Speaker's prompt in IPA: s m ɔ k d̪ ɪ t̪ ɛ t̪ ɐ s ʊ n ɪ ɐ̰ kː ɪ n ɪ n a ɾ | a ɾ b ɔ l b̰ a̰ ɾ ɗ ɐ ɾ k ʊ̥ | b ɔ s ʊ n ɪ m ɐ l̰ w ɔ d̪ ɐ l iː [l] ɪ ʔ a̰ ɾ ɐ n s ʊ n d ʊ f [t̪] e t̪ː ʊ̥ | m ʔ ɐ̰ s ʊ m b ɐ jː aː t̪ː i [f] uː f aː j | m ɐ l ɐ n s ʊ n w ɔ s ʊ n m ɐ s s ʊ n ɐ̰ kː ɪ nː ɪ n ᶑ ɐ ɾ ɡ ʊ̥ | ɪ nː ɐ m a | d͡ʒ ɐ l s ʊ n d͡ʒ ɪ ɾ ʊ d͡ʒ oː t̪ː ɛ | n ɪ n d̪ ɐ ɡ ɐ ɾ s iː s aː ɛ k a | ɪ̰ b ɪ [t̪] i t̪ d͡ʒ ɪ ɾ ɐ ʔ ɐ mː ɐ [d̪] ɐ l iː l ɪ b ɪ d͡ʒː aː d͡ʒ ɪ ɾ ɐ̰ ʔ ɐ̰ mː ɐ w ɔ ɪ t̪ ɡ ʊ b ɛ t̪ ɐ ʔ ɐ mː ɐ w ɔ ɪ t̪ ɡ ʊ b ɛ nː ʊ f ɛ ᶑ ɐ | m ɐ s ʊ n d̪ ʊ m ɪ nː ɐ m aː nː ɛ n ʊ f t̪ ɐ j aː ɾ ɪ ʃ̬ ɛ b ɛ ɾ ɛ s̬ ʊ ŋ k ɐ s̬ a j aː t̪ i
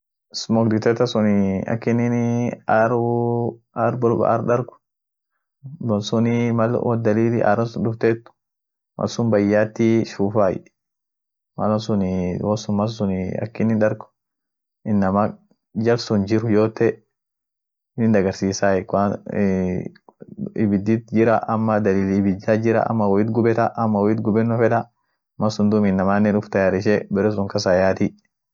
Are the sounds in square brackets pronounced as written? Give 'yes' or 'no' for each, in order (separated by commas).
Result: yes, yes, no, no, yes